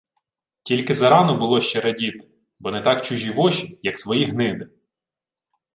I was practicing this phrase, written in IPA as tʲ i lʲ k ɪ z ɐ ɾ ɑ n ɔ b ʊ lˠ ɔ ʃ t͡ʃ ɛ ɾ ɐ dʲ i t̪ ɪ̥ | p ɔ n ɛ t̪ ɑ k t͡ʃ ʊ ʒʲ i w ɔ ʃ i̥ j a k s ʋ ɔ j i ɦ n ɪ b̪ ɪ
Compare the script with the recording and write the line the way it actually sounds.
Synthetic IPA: tʲ i lʲ k ɪ z ɐ ɾ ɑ n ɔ b ʊ lˠ ɔ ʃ t͡ʃ ɛ ɾ ɐ dʲ i t̪ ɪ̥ | b ɔ n ɛ t̪ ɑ k t͡ʃ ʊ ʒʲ i ʋ ɔ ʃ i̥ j ɐ k s ʋ ɔ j i ɦ n ɪ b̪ ɪ